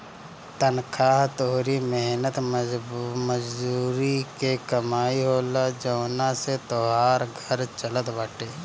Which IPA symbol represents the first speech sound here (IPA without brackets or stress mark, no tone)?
t̪